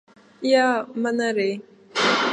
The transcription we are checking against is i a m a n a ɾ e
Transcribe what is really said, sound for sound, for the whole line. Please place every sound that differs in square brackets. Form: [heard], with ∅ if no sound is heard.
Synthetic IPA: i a m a n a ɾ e